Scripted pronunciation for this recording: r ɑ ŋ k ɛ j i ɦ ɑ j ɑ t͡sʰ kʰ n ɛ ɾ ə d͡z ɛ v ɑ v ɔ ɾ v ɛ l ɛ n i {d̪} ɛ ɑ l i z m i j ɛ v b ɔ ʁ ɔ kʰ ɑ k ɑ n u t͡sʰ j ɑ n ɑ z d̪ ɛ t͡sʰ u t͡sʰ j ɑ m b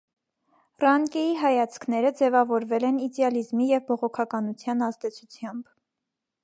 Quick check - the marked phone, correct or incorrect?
correct